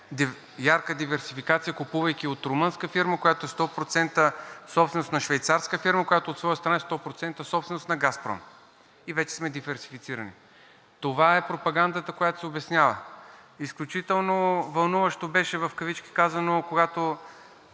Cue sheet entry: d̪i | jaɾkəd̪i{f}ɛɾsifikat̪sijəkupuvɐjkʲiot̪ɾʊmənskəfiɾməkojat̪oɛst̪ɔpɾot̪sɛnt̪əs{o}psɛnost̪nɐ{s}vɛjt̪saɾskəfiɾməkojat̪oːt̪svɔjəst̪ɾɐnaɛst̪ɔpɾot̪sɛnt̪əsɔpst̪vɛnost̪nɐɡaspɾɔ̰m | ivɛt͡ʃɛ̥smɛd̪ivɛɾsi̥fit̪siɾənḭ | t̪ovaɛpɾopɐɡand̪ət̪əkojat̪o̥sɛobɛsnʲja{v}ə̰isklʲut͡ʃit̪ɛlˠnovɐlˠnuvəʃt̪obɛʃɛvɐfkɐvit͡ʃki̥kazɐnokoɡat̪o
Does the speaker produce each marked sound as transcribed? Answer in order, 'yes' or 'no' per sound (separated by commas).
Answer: no, no, no, yes